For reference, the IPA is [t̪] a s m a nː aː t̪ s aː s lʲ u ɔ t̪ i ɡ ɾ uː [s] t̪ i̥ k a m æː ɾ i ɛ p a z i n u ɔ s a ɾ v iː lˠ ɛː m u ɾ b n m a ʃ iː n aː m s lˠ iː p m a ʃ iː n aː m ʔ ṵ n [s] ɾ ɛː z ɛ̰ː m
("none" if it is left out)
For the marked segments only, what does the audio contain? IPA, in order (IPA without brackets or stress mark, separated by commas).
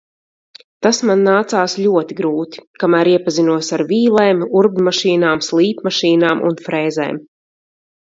t̪, none, f